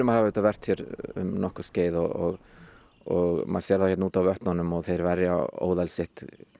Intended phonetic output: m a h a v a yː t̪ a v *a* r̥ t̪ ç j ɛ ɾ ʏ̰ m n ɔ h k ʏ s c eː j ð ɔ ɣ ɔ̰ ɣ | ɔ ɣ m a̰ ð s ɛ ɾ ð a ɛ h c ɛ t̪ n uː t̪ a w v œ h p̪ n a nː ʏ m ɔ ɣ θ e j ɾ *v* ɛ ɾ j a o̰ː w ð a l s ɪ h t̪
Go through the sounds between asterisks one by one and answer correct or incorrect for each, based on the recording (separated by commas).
incorrect, correct